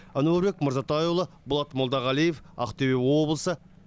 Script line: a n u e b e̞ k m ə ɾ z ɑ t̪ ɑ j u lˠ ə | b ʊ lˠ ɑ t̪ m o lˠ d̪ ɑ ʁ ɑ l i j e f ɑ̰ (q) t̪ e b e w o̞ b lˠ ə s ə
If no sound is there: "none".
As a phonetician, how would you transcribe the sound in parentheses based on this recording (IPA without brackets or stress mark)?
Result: q